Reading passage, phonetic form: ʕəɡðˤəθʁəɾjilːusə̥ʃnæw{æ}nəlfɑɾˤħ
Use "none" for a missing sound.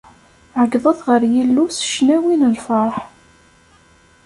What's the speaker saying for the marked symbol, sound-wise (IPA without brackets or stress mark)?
i